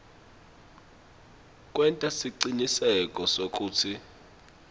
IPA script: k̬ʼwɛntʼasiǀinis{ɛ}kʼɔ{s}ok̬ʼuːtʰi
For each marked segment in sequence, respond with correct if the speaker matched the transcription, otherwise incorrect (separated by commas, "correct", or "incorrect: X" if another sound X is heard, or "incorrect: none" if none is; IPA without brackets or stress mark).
correct, correct